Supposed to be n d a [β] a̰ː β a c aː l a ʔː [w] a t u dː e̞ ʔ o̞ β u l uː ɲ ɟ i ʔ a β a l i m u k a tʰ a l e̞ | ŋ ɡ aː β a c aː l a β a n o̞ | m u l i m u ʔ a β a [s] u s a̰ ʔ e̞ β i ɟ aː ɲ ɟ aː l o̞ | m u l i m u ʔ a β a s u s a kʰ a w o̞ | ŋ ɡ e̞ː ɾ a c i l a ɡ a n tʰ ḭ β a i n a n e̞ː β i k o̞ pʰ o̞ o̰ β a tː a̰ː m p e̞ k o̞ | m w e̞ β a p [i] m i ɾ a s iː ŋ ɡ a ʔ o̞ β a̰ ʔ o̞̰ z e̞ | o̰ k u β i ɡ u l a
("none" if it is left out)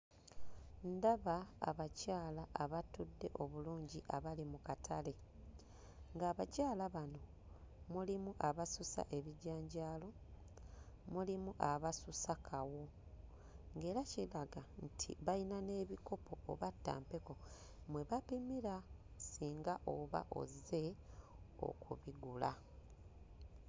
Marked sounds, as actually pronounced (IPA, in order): β, β, s, i

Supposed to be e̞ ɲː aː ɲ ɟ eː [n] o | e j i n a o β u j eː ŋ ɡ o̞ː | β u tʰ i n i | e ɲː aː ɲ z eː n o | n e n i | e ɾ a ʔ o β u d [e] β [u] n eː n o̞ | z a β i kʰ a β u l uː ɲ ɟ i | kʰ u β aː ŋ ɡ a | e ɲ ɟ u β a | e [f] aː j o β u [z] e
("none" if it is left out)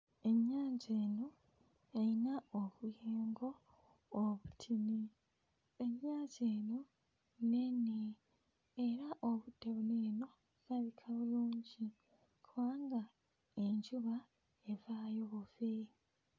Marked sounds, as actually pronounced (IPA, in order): n, e, u, v, v

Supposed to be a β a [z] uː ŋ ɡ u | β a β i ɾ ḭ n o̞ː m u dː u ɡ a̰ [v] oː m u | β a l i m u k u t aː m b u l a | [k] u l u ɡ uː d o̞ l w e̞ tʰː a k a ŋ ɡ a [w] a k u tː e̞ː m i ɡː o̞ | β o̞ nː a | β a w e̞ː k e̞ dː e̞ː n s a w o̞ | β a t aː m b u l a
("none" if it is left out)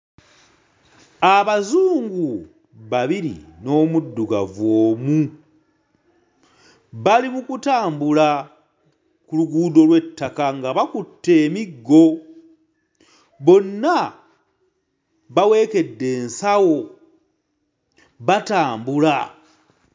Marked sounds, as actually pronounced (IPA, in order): z, v, k, β

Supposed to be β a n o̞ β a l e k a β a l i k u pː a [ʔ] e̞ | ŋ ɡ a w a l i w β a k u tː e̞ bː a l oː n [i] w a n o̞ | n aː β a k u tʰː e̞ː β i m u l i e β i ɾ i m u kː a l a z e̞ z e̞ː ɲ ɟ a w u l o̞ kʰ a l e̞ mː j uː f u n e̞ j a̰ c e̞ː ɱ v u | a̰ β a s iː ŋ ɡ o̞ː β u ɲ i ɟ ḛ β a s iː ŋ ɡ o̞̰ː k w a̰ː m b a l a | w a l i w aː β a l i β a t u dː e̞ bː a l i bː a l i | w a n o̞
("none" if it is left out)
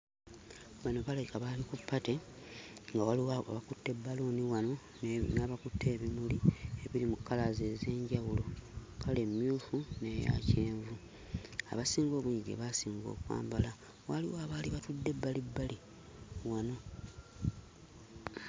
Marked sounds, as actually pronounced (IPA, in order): t, i

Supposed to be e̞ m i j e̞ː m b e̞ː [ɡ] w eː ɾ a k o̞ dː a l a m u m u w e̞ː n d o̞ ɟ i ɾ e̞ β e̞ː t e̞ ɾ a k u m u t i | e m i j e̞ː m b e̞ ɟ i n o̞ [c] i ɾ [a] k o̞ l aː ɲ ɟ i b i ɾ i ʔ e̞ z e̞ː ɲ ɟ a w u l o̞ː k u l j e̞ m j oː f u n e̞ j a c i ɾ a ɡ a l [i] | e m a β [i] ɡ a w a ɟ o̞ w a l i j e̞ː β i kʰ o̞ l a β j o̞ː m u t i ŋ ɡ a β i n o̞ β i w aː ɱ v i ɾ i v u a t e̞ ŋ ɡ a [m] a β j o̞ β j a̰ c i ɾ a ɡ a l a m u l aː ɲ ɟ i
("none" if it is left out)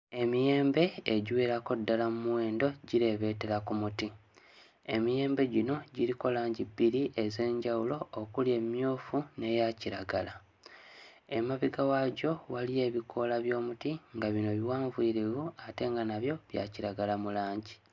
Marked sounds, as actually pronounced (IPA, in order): ɟ, ɟ, i, a, i, n

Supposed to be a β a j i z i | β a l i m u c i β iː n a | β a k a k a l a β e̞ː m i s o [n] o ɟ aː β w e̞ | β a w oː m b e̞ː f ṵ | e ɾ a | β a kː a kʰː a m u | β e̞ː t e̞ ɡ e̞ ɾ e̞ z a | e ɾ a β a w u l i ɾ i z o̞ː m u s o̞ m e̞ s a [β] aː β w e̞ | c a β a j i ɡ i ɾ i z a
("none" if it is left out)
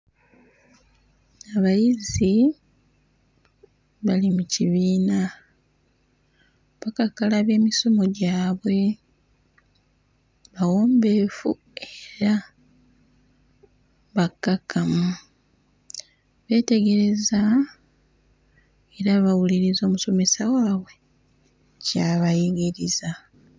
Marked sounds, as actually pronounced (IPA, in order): m, w

